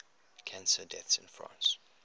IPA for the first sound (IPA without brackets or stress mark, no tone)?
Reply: kʰ